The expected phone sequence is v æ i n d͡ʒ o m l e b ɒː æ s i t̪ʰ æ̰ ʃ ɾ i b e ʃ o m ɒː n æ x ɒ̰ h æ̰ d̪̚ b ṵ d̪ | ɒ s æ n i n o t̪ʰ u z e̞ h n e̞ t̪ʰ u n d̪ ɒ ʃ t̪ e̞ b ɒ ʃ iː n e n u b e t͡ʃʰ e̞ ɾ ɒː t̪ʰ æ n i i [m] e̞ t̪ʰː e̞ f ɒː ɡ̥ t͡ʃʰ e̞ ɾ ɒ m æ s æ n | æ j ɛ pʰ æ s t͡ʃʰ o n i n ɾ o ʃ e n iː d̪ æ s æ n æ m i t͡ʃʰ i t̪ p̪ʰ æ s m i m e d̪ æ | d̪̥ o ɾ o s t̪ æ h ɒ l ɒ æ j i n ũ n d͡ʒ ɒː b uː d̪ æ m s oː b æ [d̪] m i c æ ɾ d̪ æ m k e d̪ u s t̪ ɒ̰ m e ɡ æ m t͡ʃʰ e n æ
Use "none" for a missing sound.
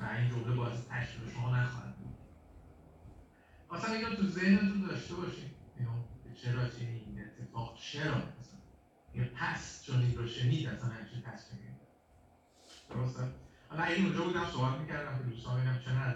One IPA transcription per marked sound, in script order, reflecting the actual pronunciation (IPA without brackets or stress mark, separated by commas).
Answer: n, t̪